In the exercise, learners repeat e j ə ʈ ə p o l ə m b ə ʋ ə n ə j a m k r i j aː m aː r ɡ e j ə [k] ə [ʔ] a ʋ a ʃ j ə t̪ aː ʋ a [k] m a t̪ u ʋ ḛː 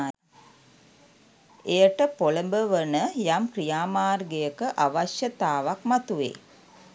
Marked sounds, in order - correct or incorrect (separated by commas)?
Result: correct, correct, correct